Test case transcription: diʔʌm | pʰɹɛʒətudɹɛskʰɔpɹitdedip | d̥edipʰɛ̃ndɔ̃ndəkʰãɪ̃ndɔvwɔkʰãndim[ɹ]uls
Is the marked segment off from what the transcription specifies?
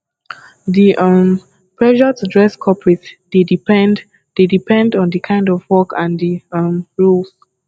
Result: no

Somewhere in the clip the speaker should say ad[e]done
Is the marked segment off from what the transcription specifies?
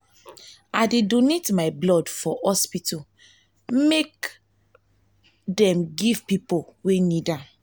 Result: no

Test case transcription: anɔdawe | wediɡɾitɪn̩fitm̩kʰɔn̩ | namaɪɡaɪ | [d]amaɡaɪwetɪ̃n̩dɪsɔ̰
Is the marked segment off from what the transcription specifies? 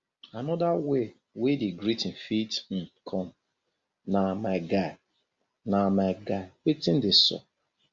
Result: yes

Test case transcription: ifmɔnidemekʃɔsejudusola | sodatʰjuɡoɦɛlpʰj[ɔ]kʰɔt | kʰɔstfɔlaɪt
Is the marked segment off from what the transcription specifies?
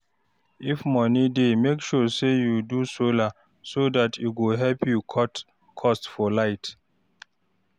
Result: yes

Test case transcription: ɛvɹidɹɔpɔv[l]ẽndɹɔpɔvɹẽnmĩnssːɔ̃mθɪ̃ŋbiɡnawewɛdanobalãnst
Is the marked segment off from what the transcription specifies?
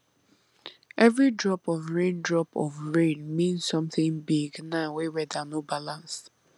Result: yes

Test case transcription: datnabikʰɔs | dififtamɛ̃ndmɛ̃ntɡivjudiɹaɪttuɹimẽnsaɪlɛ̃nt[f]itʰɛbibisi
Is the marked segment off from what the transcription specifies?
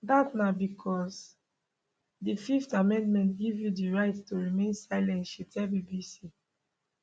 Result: yes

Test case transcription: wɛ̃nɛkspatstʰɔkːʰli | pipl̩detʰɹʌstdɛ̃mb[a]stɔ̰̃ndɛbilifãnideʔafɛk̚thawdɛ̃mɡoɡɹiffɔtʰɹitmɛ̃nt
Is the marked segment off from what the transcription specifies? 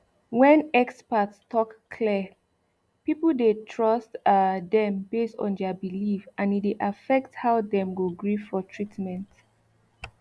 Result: yes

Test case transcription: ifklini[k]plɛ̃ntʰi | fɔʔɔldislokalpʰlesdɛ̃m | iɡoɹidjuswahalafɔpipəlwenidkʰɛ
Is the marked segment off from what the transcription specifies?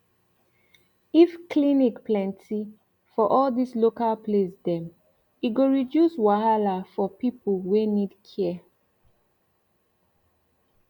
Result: no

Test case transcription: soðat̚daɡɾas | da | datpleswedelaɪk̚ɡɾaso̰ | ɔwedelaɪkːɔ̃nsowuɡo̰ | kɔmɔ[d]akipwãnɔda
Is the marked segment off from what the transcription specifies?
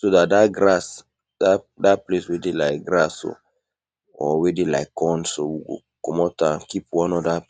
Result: yes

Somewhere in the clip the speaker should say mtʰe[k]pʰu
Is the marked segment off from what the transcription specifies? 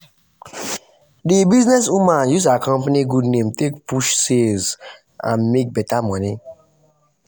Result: no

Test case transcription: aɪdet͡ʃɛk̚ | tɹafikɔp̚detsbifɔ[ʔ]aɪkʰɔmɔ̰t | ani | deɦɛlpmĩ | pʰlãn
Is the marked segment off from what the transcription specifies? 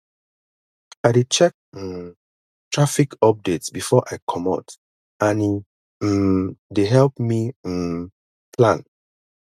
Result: no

